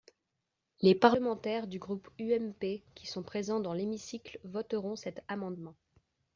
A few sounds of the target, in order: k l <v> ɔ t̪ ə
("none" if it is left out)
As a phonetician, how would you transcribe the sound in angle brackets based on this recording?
v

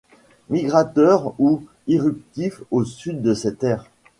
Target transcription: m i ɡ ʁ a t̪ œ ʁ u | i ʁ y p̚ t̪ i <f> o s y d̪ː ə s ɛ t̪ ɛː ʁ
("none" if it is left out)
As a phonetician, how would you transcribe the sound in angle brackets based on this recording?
f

